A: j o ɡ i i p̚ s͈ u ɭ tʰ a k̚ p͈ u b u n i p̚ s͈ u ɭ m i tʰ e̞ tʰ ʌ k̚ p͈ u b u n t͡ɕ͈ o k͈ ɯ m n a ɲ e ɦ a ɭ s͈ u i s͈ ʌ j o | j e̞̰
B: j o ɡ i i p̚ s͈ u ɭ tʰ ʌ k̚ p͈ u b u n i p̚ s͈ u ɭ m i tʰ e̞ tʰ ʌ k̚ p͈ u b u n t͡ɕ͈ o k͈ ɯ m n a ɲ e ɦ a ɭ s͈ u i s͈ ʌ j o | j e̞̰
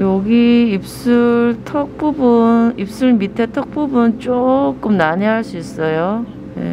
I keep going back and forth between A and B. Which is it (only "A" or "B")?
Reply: B